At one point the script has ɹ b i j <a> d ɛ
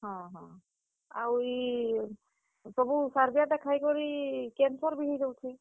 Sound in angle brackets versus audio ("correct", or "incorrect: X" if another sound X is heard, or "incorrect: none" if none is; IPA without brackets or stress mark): correct